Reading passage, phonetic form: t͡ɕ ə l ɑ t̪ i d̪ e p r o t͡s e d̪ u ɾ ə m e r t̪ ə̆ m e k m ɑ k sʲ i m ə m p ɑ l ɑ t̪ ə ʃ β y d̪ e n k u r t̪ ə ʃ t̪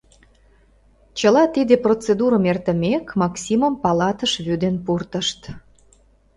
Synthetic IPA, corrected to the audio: t͡ɕ ə l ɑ t̪ i d̪ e p r o t͡s e d̪ u ɾ ə m e r t̪ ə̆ m e k m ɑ k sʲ i m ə m p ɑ l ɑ t̪ ə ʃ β y d̪ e n p u r t̪ ə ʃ t̪